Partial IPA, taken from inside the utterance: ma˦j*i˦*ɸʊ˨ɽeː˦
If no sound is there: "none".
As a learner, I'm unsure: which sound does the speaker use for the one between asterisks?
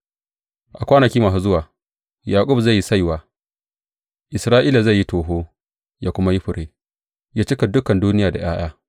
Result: i˦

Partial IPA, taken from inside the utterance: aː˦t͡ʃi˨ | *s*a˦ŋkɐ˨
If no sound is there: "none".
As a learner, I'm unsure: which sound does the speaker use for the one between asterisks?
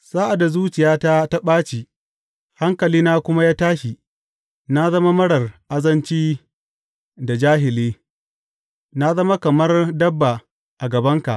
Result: h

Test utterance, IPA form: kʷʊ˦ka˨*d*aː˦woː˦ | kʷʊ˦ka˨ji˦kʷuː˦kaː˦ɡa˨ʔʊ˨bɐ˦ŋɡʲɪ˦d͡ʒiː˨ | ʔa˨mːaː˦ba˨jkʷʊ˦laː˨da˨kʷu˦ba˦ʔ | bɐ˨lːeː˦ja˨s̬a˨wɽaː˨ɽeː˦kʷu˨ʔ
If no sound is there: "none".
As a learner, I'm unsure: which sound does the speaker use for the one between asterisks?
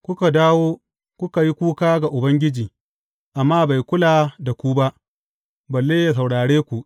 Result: d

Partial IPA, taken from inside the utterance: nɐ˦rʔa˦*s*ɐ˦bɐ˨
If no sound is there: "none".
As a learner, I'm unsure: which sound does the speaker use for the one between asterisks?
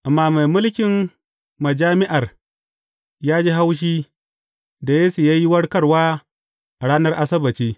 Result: s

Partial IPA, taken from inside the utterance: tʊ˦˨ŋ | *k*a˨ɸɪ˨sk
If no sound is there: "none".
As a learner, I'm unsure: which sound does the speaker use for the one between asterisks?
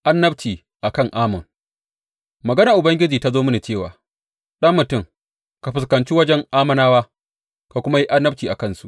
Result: k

